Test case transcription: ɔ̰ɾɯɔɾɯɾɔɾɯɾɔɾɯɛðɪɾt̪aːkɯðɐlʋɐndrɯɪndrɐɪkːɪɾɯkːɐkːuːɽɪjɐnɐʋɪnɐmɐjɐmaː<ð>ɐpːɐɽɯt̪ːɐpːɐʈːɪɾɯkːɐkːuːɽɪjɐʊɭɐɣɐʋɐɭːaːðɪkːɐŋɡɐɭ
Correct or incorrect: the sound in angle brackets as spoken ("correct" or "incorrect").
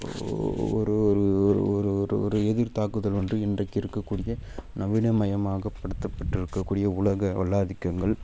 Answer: incorrect